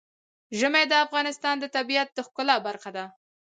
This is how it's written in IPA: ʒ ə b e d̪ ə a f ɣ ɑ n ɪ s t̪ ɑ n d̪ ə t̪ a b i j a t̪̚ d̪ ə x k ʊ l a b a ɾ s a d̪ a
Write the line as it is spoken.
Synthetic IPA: ʒ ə m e d̪ ə a f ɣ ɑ n ɪ s t̪ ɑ n d̪ ə t̪ a b i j a t̪̚ d̪ ə x k ʊ l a b a ɾ x a d̪ a